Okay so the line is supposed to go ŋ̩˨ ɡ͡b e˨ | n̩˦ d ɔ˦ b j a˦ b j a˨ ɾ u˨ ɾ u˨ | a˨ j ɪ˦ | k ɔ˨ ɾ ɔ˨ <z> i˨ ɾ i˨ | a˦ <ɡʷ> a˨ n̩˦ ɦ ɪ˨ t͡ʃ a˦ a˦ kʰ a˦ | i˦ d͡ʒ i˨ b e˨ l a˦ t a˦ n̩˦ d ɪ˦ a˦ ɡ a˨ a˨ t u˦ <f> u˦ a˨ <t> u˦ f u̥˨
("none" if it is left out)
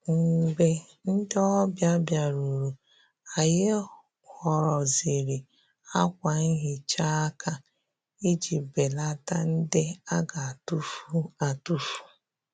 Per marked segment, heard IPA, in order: z, kʷ, f, t

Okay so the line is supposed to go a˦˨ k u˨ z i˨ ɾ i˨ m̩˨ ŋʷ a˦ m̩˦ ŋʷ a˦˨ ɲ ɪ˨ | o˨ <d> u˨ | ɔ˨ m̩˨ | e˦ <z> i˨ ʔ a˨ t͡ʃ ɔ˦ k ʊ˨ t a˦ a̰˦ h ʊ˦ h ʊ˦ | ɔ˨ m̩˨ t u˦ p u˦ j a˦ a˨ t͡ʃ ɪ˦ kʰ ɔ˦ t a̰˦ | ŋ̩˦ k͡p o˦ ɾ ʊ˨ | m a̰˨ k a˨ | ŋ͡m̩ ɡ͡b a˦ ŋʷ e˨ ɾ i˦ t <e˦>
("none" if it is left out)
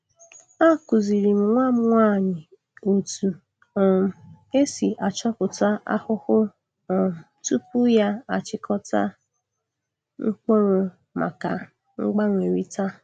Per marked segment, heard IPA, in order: t, s, a˦

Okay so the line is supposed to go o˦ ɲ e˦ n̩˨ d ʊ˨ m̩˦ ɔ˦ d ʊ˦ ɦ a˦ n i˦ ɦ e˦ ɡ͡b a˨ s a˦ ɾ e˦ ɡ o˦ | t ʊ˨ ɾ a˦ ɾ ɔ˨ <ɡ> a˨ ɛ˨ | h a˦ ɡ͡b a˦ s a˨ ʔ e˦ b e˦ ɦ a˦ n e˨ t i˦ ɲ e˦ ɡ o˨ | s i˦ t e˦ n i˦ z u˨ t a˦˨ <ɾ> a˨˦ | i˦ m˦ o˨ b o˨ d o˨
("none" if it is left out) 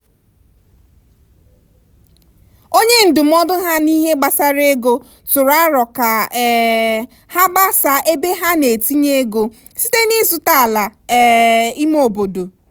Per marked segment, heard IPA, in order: k, l

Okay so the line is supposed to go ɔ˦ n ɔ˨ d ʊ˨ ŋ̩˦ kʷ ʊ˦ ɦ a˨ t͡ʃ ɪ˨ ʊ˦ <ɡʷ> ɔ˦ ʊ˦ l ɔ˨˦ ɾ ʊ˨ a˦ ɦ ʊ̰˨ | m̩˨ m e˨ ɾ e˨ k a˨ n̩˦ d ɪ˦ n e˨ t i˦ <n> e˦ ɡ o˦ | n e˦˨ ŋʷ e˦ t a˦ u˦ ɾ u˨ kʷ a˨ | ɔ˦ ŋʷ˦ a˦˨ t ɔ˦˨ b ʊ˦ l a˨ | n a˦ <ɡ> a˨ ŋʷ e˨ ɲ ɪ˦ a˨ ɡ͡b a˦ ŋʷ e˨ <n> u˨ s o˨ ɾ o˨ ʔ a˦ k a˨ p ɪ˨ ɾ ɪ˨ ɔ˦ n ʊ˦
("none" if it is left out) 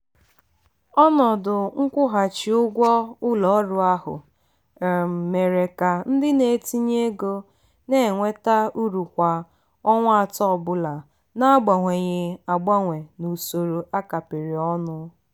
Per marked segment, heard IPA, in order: ɡʷ, ɲ, ɡ͡b, n

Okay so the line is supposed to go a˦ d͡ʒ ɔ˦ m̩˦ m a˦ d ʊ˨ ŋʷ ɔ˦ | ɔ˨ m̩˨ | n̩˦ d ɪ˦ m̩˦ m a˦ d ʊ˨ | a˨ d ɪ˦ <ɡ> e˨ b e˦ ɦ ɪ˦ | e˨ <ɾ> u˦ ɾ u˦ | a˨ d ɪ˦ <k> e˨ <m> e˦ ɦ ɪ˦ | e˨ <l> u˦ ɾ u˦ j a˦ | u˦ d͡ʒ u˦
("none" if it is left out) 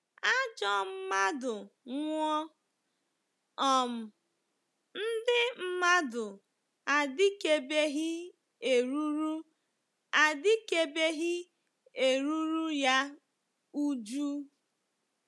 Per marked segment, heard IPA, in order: k, ɾ, k, b, ɾ

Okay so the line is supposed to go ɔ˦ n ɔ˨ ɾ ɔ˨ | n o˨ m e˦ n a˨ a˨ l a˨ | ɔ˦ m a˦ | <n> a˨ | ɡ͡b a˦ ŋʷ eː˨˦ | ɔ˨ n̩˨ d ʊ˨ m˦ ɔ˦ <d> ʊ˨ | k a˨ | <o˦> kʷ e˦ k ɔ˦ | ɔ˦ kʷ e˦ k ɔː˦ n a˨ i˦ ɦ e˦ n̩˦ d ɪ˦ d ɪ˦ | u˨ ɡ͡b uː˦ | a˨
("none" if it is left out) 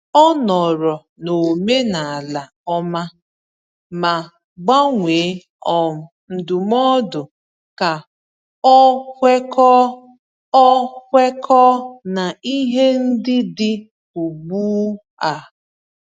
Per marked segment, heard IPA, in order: m, d, ɔ˦

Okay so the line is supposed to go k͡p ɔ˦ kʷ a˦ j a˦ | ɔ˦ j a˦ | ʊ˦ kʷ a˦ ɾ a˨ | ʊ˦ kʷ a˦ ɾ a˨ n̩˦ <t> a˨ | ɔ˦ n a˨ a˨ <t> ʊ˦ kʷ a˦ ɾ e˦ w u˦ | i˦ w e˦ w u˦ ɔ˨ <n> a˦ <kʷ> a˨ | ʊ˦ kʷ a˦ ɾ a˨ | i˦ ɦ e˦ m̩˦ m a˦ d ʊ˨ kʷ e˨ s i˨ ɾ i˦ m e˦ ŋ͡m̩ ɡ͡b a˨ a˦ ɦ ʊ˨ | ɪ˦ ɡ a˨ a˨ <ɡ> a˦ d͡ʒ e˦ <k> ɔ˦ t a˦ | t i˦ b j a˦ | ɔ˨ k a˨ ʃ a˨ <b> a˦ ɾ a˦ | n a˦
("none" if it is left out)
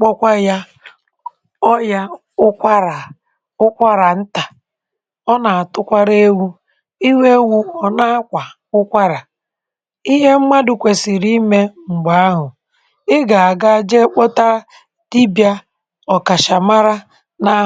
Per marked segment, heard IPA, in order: t, t, n, kʷ, ɡ, k͡p, m

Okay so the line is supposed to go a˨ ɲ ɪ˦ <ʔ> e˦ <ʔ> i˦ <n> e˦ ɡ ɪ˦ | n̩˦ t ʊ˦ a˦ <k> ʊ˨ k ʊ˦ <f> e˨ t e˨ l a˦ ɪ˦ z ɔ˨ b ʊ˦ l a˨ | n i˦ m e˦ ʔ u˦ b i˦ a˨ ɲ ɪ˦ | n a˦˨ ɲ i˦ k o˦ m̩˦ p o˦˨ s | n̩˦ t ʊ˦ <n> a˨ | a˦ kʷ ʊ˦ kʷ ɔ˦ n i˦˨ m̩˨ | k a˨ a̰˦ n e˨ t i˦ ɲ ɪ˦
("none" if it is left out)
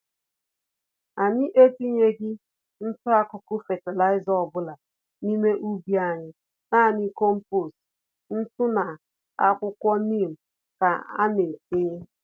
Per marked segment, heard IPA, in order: ʔ, t, ɲ, k, f, n

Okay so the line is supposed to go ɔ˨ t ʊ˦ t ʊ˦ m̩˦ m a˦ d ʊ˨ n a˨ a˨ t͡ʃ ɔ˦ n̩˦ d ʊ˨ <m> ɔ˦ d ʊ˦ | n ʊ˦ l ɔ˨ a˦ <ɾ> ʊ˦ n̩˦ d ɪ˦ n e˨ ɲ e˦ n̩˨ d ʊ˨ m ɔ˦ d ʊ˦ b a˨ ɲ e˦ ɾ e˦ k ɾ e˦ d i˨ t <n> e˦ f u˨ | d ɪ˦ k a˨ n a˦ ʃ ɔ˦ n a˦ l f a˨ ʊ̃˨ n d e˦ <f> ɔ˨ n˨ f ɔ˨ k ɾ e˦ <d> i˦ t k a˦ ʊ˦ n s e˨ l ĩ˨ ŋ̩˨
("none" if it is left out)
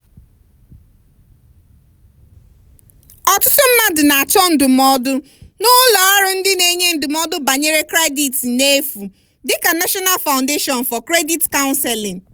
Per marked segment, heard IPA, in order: m, ɾ, n, ʃ, d

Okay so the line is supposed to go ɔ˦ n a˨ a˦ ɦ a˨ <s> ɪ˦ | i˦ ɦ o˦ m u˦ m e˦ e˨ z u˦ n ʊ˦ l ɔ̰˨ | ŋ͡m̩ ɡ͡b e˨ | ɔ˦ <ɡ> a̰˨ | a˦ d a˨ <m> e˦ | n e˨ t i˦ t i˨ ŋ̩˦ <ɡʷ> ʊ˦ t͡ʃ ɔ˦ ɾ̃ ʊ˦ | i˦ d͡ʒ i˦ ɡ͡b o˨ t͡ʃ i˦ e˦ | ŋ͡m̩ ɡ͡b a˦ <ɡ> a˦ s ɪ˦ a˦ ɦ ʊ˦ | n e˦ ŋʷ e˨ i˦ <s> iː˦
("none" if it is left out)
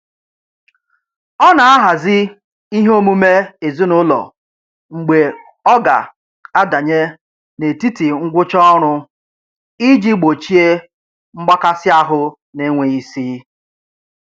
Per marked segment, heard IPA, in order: z, ɡ, ɲ, ɡʷ, k, s

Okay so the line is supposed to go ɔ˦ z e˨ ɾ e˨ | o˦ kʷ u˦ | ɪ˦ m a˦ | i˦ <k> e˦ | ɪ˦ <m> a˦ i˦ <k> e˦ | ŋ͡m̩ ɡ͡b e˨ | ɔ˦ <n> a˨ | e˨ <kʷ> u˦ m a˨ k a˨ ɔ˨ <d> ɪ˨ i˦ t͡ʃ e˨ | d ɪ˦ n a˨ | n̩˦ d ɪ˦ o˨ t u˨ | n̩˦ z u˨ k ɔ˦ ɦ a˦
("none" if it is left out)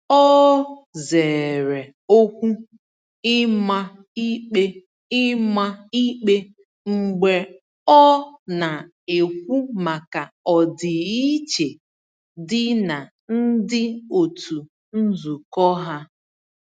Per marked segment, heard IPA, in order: k͡p, m, k͡p, n, kʷ, d

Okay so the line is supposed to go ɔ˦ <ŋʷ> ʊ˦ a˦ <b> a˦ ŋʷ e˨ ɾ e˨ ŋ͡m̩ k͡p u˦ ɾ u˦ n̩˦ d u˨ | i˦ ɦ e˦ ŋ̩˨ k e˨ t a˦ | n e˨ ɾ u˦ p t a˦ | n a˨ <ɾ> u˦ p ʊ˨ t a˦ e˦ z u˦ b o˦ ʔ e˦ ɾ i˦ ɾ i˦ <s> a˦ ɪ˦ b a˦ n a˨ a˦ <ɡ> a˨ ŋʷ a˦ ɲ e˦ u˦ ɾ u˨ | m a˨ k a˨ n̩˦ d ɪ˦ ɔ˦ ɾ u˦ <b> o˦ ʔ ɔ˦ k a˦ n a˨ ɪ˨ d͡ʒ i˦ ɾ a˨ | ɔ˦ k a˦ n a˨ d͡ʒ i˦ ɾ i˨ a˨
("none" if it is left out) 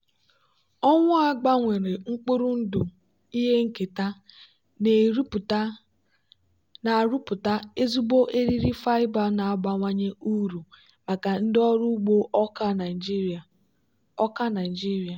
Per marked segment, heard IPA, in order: ŋʷ, ɡ͡b, ɾ, f, ɡ͡b, ɡ͡b

